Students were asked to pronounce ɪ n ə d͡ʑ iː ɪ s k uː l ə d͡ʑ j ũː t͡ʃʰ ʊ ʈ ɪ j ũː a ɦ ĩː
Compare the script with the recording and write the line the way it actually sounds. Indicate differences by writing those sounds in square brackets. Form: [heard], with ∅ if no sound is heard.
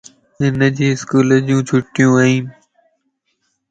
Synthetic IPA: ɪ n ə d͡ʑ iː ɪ s k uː l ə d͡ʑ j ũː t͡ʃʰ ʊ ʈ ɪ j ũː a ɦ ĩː